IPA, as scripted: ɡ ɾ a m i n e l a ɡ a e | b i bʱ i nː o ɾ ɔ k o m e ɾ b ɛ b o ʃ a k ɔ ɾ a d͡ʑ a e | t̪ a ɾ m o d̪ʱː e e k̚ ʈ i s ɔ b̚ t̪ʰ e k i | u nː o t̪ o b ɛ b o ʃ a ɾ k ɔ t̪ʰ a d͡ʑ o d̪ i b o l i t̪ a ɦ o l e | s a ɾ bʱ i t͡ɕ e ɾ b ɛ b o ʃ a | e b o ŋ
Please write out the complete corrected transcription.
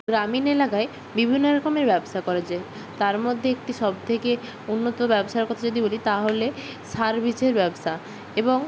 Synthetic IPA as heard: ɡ ɾ a m i n e l a k a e | b i bʱ i nː o ɾ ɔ k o m e ɾ b ɛ b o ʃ a k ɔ ɾ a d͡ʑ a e | t̪ a ɾ m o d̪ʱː e e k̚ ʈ i ʃ ɔ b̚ t̪ʰ e k e | u nː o t̪ o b ɛ b o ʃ a ɾ k ɔ t̪ʰ a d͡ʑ o d̪ i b o l i t̪ a ɦ o l e | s a ɾ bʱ i t͡ɕ e ɾ b ɛ b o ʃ a | e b o ŋ